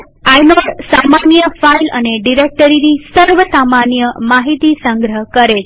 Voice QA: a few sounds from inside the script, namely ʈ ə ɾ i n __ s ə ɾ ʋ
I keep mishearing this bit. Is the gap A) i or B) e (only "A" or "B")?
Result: A